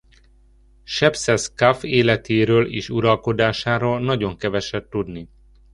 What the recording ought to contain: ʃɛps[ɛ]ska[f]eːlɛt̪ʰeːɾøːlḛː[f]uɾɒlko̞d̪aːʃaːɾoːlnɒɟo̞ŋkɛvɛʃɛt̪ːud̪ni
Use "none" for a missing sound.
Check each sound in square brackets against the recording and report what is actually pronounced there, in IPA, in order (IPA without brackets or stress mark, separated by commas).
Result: ɛ, f, ʃ